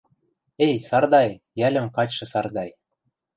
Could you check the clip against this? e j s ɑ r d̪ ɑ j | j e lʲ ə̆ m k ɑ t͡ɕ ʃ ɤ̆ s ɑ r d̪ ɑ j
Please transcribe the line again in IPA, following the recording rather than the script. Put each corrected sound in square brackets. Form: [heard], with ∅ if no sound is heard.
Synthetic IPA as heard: e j s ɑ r d̪ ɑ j | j [æ] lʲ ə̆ m k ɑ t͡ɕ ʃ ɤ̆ s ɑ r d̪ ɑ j